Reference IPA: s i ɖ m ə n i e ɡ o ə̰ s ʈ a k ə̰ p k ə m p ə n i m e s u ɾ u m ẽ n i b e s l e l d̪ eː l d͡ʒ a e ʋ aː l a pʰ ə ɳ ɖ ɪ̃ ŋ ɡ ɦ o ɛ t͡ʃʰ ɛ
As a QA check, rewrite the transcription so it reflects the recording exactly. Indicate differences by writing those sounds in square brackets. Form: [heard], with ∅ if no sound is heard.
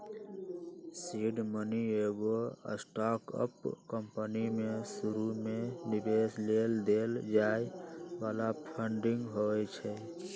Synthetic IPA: s i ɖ m ə n i e ɡ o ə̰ s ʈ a k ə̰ p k ə m p ə n i m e s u ɾ u m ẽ n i b e s l e l d̪ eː l d͡ʒ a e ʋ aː l a pʰ ə ɳ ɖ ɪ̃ ŋ ɡ ɦ o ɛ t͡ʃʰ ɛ